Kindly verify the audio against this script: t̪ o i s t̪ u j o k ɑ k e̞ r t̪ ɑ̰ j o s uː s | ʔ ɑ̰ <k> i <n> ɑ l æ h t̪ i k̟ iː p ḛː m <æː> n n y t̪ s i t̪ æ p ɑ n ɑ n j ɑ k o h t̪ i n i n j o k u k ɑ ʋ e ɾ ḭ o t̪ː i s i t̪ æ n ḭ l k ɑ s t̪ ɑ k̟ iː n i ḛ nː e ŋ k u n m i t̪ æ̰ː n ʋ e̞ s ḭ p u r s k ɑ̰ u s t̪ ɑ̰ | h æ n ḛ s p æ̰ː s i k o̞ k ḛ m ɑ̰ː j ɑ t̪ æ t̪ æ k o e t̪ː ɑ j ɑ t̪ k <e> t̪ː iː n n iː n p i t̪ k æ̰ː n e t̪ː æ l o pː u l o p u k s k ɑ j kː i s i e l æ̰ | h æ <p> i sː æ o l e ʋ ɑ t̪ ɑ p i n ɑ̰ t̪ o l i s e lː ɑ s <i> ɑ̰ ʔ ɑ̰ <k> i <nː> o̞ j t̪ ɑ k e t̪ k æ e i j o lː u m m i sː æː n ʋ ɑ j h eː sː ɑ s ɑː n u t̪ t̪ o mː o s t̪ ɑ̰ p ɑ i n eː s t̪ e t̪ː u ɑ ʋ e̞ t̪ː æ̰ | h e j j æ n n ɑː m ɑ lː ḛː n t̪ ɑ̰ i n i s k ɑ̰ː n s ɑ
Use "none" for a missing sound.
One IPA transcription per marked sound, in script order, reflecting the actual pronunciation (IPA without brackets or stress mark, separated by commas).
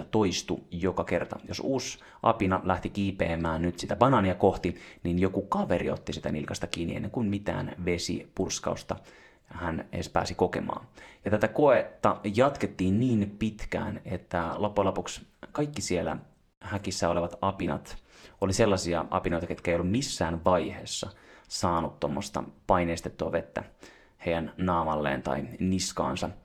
p, n, æː, e, k, i, p, n